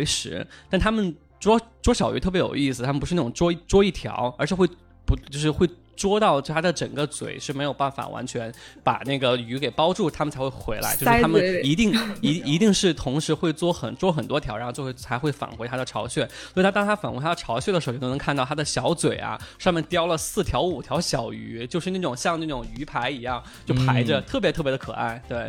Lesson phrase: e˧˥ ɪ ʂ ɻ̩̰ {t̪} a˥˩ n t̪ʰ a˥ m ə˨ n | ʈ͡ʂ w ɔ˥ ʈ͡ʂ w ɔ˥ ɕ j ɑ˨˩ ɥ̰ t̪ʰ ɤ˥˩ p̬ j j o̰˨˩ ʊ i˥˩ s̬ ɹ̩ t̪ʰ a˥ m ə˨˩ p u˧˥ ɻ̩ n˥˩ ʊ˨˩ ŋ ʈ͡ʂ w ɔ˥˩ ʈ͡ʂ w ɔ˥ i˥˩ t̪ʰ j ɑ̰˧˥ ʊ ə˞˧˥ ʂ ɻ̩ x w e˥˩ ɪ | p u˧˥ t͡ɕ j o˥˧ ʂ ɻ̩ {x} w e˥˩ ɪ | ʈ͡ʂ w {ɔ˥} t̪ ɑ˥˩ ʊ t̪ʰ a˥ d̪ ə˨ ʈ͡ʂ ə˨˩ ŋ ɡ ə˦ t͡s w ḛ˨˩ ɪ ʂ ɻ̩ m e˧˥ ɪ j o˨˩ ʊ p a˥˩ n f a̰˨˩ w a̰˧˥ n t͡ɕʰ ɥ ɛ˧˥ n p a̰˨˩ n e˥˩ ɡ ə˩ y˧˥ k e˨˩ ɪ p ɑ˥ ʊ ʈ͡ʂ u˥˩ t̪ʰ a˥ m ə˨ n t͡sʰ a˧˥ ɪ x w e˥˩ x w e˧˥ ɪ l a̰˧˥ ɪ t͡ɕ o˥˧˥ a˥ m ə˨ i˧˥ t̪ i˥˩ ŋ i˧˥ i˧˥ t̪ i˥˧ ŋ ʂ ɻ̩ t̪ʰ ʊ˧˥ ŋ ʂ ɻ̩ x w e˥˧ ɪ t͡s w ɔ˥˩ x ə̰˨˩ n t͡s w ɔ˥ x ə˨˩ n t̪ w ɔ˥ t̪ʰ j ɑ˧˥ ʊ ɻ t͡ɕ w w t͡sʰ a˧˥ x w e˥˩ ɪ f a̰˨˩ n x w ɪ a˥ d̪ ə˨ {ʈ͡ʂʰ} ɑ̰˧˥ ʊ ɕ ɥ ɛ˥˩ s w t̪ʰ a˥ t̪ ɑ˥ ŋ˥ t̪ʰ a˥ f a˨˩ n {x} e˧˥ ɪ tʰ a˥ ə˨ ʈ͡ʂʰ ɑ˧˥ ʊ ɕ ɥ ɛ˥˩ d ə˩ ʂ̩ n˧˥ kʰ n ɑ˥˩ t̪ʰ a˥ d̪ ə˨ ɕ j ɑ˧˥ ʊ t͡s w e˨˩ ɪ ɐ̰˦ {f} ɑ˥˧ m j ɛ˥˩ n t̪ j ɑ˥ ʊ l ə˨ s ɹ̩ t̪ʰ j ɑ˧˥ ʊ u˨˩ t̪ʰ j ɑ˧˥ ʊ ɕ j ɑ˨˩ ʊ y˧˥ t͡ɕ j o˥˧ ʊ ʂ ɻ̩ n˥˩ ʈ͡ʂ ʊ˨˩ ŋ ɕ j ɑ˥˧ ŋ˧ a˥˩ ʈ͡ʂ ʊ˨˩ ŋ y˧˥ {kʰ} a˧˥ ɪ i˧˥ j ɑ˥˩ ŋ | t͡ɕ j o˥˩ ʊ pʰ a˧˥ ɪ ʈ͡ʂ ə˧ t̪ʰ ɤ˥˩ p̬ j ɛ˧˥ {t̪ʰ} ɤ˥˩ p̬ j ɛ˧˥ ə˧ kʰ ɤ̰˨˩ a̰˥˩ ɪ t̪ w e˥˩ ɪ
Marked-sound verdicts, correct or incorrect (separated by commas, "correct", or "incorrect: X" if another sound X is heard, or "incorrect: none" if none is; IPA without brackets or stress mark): correct, correct, correct, correct, correct, incorrect: ʂ, incorrect: pʰ, correct